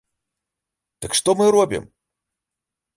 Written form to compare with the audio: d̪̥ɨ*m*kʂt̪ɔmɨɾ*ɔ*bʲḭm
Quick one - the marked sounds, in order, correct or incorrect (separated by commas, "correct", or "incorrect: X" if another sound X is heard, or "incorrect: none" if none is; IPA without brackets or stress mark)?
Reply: incorrect: none, correct